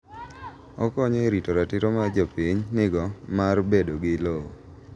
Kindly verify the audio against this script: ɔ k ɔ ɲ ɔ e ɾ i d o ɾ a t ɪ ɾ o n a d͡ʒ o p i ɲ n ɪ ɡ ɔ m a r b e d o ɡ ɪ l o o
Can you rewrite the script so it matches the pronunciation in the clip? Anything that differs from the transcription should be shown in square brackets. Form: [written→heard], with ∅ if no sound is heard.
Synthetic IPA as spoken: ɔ k ɔ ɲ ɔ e ɾ i [d→t] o ɾ a t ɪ ɾ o [n→m] a d͡ʒ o p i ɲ n ɪ ɡ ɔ m a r b e d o ɡ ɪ l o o

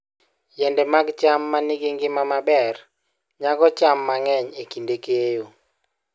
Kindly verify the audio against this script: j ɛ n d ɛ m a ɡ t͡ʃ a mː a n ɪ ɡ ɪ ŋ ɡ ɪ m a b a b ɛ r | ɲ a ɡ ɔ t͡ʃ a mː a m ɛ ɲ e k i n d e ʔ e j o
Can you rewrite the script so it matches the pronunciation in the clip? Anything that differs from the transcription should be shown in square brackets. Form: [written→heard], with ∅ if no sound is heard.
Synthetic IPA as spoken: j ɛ n d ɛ m a ɡ t͡ʃ a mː a n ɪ ɡ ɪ ŋ ɡ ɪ m a [b→m] a b ɛ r | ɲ a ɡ ɔ t͡ʃ a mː a [m→ŋ] ɛ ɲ e k i n d e [ʔ→k] e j o

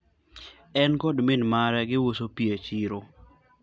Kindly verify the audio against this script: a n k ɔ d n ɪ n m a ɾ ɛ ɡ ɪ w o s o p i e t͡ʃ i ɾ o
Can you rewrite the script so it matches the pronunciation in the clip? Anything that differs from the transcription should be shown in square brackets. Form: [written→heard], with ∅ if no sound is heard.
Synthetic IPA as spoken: [a→ɛ] n k ɔ d [n→m] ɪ n m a ɾ ɛ ɡ ɪ w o s o p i e t͡ʃ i ɾ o

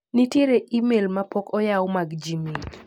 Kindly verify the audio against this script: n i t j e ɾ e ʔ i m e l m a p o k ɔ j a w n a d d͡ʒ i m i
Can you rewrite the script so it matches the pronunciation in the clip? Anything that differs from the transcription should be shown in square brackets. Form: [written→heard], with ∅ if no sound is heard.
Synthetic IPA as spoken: n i t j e ɾ e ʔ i m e l m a p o k ɔ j a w [n→m] a [d→ɡ] d͡ʒ i m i

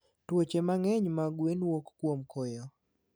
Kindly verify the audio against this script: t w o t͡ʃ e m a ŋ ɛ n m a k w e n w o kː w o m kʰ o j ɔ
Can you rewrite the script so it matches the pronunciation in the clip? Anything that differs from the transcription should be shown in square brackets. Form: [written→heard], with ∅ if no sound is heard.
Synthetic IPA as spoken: t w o t͡ʃ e m a ŋ ɛ [n→ɲ] m a [k→ɡ] w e n w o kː w o m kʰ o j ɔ

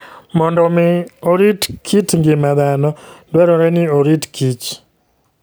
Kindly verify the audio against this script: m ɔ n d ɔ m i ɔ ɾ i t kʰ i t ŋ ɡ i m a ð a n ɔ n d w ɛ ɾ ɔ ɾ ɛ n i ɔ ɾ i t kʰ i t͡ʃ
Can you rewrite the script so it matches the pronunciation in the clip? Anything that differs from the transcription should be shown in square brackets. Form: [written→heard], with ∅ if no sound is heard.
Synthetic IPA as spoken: m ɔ n d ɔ m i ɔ ɾ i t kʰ i t ŋ ɡ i m a ð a n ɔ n d w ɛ ɾ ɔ ɾ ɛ n i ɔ ɾ i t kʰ i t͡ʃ

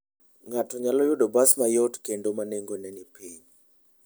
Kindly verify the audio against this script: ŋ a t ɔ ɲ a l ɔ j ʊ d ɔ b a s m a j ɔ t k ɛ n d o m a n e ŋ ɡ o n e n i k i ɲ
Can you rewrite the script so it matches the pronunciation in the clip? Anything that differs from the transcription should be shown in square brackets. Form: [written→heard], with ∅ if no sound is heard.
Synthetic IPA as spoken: ŋ a t ɔ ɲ a l ɔ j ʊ d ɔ b a s m a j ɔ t k [ɛ→e] n d o m a n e ŋ ɡ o n [e→ɛ] n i [k→p] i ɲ

